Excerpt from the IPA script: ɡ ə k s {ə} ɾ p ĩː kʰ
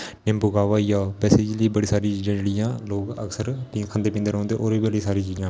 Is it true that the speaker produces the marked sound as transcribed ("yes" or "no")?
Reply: yes